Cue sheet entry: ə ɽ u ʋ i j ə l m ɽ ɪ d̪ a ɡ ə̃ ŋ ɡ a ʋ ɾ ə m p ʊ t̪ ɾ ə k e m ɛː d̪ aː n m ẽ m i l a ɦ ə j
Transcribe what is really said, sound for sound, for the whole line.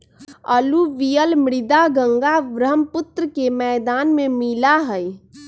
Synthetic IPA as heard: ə l u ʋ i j ə l m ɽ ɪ d̪ a ɡ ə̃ ŋ ɡ a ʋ ɾ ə m p ʊ t̪ ɾ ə k e m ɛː d̪ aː n m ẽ m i l a ɦ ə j